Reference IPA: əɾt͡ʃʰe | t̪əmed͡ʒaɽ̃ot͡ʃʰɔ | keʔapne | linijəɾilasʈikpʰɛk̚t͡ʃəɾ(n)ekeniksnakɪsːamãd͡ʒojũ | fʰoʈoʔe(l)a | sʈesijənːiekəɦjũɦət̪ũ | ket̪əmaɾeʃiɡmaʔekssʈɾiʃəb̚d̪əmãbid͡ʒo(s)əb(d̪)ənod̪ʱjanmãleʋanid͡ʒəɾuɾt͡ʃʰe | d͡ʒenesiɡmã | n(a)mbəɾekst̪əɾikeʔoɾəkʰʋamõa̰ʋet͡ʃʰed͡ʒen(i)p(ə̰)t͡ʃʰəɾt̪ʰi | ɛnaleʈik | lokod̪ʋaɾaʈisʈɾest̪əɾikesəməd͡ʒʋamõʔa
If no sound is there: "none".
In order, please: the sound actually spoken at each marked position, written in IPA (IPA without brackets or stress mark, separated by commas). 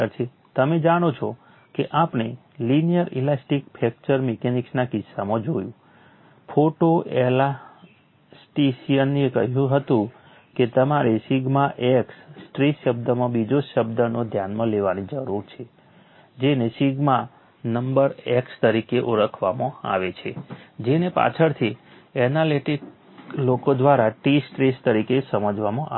m, l, ʃ, d̪, ə, e, a̰